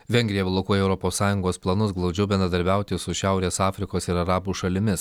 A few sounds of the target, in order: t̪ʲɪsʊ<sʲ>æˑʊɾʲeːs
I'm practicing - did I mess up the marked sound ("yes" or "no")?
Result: yes